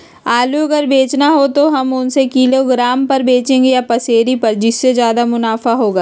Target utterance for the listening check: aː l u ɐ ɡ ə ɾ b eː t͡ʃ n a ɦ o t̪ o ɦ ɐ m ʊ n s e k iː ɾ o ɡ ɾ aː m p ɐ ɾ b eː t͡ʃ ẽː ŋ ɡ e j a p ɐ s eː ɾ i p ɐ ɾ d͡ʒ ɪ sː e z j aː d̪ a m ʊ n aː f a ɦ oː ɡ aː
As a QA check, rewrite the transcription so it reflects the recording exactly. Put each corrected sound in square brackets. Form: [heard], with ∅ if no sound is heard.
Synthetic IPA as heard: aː l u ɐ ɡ ə ɾ b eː t͡ʃ n a ɦ o t̪ o ɦ ɐ m ʊ n s e k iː [l] o ɡ ɾ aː m p ɐ ɾ b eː t͡ʃ ẽː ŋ ɡ e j a p ɐ s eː ɾ i p ɐ ɾ d͡ʒ ɪ sː e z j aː d̪ a m ʊ n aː f a ɦ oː ɡ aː